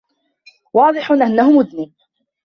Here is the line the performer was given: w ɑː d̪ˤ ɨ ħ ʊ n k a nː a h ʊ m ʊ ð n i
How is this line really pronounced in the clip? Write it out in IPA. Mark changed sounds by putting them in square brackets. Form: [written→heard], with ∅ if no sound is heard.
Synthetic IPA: w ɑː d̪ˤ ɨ ħ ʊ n [k→ʔ] a nː a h ʊ m ʊ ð n [i→iː]